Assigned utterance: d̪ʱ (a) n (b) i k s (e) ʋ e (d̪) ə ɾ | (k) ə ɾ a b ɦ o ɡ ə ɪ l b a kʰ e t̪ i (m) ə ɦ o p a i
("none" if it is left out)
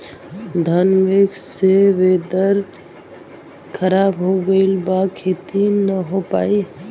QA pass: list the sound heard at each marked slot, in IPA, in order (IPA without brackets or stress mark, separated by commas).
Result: ə, m, e, d̪, kʰ, n